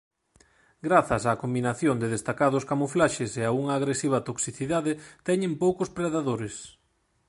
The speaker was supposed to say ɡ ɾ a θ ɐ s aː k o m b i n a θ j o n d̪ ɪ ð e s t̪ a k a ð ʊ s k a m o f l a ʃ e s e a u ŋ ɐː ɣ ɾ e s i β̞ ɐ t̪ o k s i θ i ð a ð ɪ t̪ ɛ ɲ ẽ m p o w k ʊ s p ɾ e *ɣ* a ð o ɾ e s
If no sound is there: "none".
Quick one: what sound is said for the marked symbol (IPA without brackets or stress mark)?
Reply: ð